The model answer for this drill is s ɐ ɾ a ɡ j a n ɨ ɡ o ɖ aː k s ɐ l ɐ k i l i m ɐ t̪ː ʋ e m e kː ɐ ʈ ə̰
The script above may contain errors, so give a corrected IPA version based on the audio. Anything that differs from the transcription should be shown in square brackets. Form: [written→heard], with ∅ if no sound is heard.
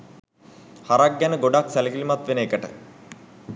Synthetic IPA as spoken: [s→h] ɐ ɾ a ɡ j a n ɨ ɡ o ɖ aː k s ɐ l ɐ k i l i m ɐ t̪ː ʋ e [m→n] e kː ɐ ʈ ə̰